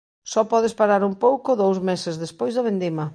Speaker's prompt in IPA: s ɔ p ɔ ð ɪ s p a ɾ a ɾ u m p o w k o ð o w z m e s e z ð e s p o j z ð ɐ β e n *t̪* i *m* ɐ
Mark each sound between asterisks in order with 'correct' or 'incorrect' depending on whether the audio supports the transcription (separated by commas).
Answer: incorrect, correct